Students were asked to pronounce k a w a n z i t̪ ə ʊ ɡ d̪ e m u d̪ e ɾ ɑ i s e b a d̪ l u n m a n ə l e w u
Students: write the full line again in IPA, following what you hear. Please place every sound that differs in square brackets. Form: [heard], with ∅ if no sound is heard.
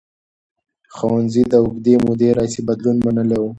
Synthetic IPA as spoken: [x] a w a n z i [d̪] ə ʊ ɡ d̪ e m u d̪ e ɾ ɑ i s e b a d̪ l u n m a n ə l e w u